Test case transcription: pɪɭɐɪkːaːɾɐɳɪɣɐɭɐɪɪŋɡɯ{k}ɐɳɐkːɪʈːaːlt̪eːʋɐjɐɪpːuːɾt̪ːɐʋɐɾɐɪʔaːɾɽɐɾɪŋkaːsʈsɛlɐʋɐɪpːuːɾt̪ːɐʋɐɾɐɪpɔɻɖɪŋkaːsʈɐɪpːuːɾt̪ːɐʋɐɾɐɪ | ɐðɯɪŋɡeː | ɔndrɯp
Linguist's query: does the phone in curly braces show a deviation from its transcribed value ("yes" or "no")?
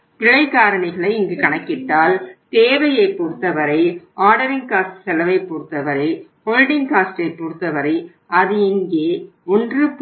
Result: no